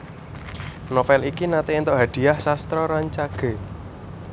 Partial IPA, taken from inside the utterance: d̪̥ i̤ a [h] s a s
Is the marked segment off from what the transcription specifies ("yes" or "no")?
no